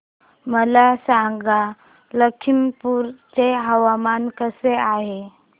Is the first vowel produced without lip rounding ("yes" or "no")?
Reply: yes